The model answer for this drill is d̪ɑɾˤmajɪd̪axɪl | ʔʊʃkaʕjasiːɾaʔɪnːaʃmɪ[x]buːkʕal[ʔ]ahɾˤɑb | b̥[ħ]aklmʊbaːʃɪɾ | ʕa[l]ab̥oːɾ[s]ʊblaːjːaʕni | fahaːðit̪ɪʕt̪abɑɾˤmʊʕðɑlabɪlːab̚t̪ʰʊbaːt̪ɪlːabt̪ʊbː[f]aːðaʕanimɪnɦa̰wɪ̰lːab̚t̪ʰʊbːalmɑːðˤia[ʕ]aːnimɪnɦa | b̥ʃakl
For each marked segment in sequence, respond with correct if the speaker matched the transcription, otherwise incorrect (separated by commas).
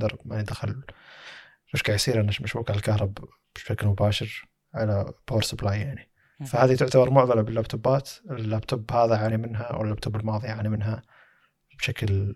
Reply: incorrect, incorrect, incorrect, correct, correct, incorrect, correct